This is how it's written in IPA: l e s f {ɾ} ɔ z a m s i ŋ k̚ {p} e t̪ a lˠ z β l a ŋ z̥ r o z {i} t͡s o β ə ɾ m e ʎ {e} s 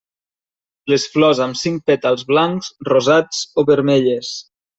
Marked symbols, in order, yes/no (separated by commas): no, yes, no, yes